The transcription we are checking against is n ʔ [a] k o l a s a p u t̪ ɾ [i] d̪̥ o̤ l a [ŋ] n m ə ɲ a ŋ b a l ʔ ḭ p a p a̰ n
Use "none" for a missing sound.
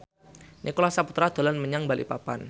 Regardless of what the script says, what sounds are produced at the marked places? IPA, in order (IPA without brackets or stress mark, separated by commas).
i, a, none